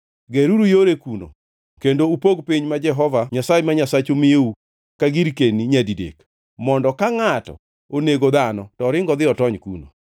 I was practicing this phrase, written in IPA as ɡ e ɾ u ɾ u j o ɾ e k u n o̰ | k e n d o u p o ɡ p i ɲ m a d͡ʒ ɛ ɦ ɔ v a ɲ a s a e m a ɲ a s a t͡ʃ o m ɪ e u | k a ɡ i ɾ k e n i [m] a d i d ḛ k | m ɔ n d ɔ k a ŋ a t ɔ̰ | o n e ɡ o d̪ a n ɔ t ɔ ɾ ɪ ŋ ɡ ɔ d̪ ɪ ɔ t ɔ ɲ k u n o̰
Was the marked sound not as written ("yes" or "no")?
yes